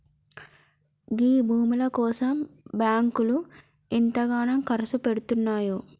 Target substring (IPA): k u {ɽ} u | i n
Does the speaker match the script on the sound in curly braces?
no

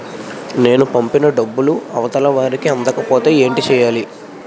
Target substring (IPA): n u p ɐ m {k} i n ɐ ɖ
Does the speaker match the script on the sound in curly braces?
no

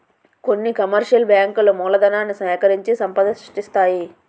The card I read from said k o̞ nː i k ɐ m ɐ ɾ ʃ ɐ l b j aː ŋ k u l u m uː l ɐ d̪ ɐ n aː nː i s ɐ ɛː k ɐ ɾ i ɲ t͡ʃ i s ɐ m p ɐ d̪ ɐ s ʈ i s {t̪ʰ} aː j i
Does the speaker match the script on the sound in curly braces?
no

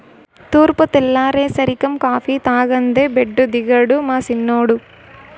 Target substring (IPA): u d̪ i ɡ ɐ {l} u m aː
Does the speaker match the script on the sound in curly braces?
no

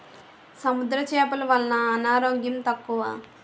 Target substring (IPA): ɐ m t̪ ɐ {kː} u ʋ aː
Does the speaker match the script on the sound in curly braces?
yes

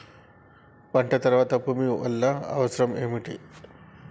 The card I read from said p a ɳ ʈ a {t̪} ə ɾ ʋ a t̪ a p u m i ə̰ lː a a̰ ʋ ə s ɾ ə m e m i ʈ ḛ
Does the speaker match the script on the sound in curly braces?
yes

